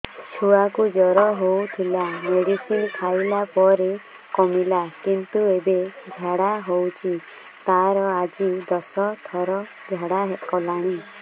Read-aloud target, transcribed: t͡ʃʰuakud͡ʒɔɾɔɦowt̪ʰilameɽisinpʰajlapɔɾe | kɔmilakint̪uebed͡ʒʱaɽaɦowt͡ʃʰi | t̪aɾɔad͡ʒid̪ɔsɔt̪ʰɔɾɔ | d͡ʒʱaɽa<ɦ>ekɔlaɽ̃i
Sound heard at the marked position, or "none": ɦ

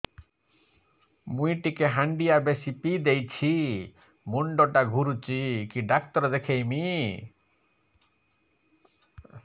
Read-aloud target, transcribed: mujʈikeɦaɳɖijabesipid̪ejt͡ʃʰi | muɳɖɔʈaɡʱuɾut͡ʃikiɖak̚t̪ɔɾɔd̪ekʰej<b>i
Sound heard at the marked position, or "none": m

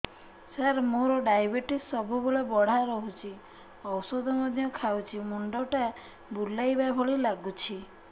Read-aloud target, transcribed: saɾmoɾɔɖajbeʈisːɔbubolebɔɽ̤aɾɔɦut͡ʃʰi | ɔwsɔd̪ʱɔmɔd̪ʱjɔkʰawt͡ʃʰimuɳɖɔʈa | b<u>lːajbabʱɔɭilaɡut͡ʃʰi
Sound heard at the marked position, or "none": u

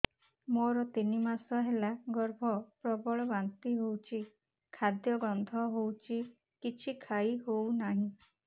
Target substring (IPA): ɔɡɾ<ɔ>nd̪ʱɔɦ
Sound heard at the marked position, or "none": ɔ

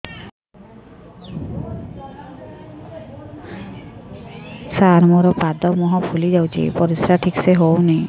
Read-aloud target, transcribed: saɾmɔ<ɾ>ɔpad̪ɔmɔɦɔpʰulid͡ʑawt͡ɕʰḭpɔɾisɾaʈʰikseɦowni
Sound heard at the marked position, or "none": ɾ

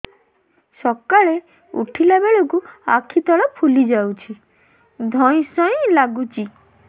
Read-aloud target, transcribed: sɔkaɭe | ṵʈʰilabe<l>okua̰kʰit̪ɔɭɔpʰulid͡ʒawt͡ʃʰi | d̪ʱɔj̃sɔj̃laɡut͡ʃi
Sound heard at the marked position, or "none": ɭ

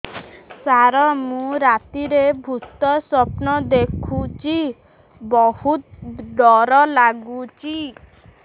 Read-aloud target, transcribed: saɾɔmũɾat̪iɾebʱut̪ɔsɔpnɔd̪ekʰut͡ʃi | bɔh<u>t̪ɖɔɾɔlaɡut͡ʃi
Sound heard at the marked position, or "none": u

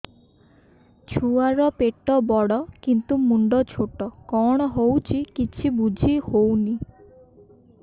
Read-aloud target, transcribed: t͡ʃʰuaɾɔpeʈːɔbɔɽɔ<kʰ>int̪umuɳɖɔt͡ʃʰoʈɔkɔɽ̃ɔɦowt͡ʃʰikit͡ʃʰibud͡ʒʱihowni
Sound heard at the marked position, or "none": k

